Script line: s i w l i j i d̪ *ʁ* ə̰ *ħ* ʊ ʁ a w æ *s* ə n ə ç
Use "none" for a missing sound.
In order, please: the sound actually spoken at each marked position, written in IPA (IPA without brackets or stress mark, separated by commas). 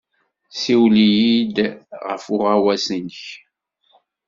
ʁ, f, s